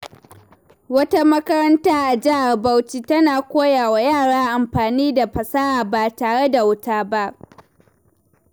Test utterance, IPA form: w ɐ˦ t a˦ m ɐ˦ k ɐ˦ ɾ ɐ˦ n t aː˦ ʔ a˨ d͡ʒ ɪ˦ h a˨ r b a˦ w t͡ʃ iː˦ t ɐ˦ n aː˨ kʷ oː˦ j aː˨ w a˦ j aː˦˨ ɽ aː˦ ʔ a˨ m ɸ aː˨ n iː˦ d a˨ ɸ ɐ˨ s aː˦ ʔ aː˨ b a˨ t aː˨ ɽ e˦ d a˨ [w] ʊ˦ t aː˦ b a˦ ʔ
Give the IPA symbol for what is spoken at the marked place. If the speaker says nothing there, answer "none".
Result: w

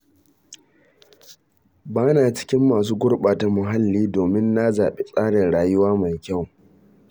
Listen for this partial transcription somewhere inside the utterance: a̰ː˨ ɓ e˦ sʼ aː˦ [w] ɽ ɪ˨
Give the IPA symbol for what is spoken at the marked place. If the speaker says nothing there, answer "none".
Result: none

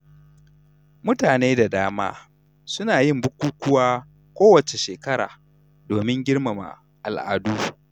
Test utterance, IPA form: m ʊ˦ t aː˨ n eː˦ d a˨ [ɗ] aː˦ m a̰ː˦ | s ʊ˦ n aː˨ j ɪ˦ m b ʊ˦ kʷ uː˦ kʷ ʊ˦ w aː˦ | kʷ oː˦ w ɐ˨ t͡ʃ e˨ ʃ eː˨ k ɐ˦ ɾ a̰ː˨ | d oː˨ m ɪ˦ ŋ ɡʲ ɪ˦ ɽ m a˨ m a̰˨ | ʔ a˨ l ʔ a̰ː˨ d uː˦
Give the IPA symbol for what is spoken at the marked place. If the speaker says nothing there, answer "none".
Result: d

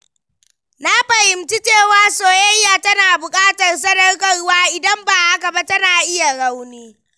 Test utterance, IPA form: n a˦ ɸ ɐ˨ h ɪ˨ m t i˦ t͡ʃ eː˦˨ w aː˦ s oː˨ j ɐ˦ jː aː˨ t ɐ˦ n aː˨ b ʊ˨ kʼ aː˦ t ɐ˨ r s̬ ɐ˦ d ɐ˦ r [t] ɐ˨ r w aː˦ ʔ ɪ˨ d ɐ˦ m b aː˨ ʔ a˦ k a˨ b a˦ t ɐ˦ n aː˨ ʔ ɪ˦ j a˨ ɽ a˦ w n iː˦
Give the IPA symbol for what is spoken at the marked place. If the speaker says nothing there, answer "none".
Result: k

